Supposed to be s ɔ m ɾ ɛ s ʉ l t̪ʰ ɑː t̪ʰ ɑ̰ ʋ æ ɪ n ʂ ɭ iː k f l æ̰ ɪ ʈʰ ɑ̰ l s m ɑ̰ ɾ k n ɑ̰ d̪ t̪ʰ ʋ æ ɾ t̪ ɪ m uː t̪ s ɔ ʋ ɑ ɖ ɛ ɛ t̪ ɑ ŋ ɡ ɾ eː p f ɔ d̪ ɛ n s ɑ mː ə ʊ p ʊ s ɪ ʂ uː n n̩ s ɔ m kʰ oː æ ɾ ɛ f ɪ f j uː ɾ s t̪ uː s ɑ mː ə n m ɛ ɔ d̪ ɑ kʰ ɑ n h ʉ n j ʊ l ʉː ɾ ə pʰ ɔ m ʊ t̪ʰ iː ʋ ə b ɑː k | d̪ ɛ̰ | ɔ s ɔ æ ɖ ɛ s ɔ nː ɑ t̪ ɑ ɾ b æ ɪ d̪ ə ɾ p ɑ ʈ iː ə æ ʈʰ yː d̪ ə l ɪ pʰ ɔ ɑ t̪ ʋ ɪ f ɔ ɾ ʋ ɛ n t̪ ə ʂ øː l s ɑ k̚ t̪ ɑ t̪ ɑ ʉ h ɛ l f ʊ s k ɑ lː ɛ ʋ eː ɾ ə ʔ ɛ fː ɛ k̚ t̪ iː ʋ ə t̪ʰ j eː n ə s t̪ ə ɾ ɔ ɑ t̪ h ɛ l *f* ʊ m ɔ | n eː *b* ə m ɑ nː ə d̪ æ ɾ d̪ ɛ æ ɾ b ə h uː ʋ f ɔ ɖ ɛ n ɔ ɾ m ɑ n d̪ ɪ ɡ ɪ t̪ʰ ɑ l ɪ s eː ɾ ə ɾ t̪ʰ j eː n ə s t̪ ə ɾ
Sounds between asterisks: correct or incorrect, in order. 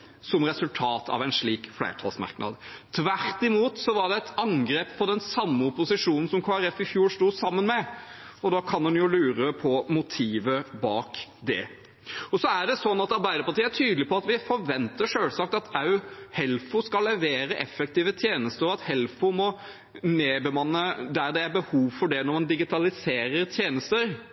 correct, correct

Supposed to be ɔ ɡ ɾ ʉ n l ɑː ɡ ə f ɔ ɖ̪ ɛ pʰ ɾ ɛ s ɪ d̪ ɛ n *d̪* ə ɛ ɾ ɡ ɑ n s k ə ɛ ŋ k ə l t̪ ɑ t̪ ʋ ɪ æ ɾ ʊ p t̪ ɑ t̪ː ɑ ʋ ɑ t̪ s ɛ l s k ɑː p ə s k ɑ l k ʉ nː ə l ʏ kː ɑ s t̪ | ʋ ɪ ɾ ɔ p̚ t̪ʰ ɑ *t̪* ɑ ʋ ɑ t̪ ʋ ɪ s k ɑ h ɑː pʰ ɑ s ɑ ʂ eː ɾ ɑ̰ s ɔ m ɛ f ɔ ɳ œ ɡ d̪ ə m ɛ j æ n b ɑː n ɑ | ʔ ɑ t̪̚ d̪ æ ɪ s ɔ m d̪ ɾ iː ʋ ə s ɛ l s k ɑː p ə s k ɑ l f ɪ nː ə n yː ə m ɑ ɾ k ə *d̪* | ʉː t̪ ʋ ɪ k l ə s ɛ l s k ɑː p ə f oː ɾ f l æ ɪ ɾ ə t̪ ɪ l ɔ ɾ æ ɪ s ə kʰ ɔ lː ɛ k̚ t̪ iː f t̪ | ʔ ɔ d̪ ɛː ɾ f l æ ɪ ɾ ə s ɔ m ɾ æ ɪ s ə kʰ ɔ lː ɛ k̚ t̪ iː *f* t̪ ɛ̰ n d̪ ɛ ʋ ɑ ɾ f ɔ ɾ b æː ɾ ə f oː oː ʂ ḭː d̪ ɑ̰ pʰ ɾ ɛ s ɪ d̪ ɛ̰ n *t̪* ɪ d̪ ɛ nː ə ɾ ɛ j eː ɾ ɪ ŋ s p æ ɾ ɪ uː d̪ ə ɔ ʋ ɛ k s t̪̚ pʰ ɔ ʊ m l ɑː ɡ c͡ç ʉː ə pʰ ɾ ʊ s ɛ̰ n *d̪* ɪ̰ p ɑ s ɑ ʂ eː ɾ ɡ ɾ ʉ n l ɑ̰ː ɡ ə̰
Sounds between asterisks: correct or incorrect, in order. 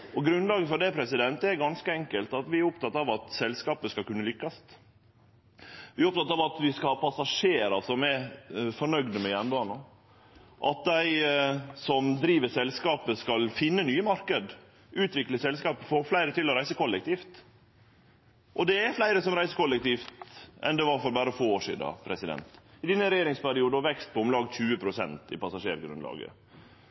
incorrect: t̪, correct, correct, correct, correct, incorrect: t̪

